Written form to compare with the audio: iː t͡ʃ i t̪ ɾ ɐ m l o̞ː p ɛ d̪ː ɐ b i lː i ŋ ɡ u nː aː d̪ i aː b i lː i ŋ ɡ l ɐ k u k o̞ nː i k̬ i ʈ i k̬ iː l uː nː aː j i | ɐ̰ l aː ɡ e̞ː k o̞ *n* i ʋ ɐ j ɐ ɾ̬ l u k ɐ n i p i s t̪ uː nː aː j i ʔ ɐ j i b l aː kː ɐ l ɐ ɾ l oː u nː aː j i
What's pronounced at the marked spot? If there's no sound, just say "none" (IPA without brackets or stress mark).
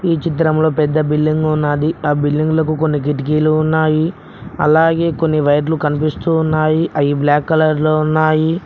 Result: nː